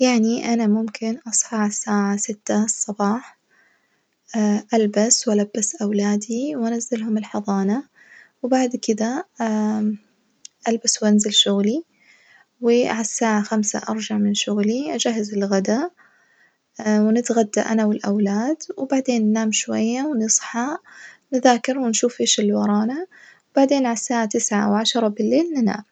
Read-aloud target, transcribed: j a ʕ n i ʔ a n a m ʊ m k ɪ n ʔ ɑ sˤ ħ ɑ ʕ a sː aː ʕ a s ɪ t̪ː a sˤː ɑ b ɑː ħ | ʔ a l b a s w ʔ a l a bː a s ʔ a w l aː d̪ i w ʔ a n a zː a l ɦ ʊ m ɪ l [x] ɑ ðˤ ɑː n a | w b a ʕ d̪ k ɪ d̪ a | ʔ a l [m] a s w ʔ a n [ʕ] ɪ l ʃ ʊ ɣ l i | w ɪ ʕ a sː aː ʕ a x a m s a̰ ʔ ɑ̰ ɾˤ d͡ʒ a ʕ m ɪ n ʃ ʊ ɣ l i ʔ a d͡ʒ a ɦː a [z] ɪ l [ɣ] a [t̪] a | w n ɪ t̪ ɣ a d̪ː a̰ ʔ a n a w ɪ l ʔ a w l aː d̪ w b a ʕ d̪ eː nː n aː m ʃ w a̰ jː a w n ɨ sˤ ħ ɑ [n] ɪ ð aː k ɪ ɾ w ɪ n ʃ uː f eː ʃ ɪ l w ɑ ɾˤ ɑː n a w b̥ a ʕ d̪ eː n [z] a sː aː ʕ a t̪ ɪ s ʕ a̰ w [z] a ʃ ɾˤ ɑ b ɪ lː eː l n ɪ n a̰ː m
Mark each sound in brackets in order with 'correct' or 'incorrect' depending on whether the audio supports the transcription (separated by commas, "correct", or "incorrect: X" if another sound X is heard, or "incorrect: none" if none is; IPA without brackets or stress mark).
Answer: incorrect: ħ, incorrect: b, incorrect: z, correct, correct, incorrect: d̪, correct, incorrect: ʕ, incorrect: ʕ